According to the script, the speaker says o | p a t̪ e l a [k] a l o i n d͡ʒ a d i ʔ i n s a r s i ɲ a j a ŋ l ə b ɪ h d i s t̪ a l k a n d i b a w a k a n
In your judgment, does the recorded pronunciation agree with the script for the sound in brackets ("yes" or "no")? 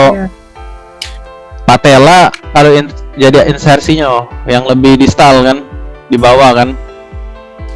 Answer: yes